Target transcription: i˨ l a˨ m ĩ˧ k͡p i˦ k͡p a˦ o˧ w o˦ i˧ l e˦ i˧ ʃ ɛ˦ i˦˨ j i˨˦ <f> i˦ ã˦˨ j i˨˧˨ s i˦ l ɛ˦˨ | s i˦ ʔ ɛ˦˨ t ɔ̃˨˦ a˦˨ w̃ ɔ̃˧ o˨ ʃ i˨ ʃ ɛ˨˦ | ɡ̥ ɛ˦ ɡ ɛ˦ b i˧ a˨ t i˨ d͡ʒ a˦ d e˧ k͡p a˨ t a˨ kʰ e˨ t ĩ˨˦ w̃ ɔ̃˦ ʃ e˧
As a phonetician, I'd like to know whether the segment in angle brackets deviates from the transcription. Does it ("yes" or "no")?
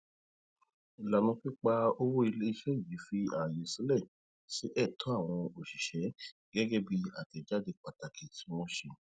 no